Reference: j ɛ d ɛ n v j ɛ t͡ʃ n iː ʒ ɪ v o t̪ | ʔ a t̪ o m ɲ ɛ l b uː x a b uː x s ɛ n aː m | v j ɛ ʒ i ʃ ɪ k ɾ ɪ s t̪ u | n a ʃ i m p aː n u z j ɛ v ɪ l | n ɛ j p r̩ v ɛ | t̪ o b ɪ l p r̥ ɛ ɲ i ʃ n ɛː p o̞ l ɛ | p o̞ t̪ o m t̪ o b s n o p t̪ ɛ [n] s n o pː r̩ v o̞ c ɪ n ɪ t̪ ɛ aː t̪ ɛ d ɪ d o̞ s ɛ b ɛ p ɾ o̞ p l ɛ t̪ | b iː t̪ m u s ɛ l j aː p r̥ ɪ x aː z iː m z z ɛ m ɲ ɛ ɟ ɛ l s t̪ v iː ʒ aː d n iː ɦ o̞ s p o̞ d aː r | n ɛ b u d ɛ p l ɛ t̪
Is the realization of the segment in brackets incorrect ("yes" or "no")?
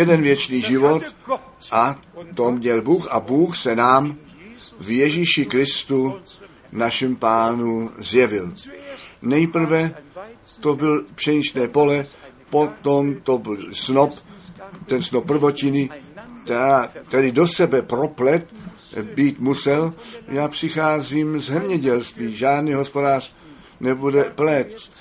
no